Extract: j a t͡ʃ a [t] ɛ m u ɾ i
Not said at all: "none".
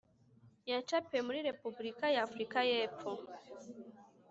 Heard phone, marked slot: p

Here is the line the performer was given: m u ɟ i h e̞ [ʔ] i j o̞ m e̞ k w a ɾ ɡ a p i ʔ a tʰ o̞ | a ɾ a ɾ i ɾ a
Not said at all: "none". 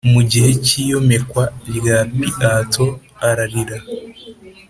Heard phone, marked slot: c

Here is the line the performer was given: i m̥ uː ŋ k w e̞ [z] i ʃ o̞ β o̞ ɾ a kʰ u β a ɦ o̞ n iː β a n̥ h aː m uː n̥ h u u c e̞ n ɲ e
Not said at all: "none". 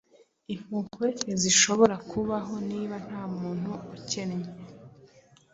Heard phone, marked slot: z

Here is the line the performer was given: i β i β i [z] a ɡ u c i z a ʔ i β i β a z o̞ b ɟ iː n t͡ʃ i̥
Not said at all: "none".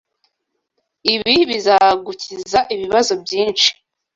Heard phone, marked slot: z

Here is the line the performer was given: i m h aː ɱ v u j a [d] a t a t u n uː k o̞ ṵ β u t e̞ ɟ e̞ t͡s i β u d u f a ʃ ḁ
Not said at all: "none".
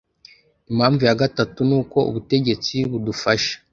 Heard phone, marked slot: ɡ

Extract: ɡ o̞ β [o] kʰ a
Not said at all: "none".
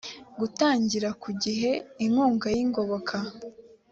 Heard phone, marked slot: o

